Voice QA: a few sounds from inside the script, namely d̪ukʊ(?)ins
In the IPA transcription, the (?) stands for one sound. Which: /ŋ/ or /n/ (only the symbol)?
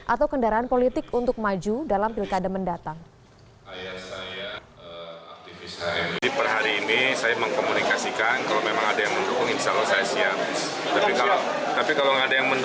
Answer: ŋ